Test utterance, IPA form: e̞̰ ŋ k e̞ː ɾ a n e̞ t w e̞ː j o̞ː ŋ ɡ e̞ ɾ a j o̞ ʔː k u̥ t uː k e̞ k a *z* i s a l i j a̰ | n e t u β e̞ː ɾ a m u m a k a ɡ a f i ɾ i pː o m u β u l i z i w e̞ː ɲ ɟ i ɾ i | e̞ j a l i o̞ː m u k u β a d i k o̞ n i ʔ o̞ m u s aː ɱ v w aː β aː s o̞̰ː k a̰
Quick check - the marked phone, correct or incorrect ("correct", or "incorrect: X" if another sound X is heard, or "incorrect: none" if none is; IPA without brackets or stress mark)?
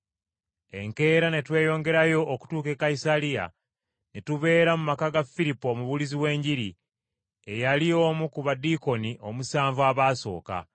incorrect: none